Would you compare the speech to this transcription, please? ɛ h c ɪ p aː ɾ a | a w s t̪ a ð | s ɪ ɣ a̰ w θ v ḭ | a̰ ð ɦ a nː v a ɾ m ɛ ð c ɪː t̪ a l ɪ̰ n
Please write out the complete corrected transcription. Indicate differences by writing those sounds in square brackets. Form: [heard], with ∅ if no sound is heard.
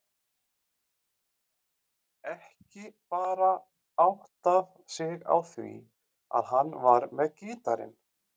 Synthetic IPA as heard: ɛ h c ɪ p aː ɾ a | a w [h] t̪ a [v] | s ɪ ɣ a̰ w θ v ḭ | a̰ ð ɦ a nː v a ɾ m ɛ ð c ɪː t̪ a [ɾ] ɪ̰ n